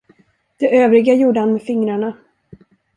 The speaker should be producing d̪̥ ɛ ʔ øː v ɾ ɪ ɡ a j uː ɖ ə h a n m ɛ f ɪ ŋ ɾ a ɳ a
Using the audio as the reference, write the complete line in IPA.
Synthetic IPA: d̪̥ ɛ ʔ øː v ɾ ɪ ɡ a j uː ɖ ə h a n m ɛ f ɪ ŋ ɾ a ɳ a

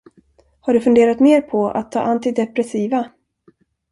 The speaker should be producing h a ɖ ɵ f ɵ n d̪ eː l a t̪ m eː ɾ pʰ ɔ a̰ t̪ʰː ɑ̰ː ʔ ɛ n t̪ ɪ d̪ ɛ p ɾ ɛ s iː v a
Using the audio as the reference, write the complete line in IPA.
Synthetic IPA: h a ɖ ɵ f ɵ n d̪ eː ɾ a t̪ m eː ɾ pʰ ɔ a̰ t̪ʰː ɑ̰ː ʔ a n t̪ ɪ d̪ ɛ p ɾ ɛ s iː v a

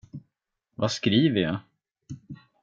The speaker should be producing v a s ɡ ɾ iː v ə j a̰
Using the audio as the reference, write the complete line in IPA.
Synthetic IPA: v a s k ɾ iː v ə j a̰

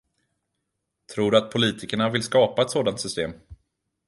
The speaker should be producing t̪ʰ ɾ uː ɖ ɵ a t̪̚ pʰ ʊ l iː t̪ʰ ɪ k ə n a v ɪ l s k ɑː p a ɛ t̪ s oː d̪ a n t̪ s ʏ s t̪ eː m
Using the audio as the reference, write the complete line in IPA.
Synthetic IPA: t̪ʰ ɾ uː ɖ ɵ a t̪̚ pʰ ʊ l iː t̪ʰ ɪ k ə ɳ a v ɪ l s k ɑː p a ɛ t̪ s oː d̪ a n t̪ s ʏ s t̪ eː m

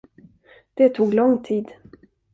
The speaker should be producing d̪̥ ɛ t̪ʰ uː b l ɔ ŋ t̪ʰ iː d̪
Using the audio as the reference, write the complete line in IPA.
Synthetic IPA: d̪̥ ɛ t̪ʰ uː ɡ l ɔ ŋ t̪ʰ iː d̪

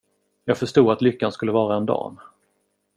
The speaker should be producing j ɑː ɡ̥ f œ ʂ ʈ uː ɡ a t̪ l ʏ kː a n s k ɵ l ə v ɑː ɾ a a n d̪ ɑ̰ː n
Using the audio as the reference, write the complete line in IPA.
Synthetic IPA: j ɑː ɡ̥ f œ ʂ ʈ uː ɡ a t̪ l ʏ kː a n s k ɵ lː ə v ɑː ɾ a ɛ n d̪ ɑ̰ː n

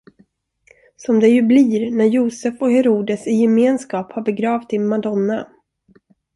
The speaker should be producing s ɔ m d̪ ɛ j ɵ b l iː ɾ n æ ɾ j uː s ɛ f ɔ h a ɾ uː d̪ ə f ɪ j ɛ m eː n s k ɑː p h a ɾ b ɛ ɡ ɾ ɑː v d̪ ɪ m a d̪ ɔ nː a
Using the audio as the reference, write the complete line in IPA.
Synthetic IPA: s ɔ m d̪ ɛ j ɵ b l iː ɾ n æ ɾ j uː s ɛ f ɔ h ɛ ɾ uː d̪ ə s ɪ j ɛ m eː n s k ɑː p h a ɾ b ɛ ɡ ɾ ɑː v t̪ ɪ m a d̪ ɔ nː a

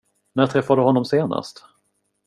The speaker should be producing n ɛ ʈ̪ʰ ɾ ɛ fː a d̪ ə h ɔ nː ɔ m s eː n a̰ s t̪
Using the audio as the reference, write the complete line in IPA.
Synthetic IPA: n æ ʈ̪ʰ ɾ ɛ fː a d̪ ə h ɔ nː ɔ m s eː n a̰ s t̪

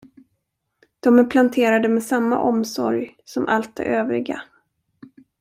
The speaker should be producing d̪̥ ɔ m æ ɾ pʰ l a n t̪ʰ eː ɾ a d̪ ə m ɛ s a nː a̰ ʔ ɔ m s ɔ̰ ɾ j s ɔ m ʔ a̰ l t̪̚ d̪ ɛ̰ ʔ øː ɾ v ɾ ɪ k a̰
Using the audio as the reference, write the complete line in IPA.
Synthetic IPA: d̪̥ ɔ m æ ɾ pʰ l a n t̪ʰ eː ɾ a d̪ ə m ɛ s a mː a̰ ʔ ɔ m s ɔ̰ ɾ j s ɔ m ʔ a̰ l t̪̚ d̪ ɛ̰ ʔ øː v ɾ ɪ ɡ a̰

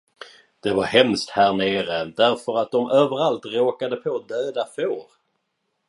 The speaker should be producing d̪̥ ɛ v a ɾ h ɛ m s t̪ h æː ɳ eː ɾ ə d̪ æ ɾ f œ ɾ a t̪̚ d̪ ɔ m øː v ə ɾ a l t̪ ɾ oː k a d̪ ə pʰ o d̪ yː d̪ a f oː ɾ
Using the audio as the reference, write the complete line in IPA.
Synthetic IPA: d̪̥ ɛ v a ɾ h ɛ m s t̪ h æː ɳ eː ɾ ə d̪ æ ɾ f œ ɾ a t̪̚ d̪ ɔ m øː v ə ɾ a l t̪ ɾ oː k a d̪ ə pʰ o d̪ øː d̪ a f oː ɾ

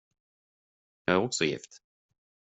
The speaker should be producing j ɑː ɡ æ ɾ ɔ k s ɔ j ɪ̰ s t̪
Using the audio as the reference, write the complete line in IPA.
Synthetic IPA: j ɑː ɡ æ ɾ ɔ k s ɔ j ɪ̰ f t̪

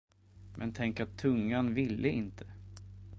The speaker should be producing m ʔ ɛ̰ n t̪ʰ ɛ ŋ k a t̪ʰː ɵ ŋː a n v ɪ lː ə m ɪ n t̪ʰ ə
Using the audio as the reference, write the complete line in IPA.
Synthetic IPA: m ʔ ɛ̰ n t̪ʰ ɛ ŋ k a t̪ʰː ɵ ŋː a n v ɪ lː ə ɪ n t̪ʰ ə

